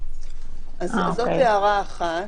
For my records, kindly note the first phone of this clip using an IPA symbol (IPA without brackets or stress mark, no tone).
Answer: a